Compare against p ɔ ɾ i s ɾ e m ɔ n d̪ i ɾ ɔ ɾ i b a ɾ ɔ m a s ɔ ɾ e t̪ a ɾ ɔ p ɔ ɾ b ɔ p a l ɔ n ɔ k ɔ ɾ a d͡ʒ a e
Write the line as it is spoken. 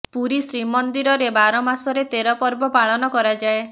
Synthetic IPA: p u ɾ i s ɾ i m ɔ n d̪ i ɾ ɔ ɾ e b a ɾ ɔ m a s ɔ ɾ e t̪ e ɾ ɔ p ɔ ɾ b ɔ p a ɭ ɔ n ɔ k ɔ ɾ a d͡ʒ a e